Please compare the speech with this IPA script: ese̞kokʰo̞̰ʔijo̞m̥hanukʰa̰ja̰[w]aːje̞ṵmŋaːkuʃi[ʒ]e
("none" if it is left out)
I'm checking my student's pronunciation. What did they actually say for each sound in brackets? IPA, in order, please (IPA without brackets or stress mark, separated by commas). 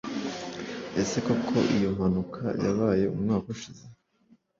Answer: β, z